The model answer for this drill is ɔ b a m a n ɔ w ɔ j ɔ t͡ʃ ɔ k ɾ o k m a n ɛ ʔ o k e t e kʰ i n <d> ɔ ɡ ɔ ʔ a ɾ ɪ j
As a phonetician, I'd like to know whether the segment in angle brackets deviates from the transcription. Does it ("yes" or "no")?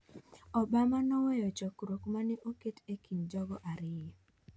yes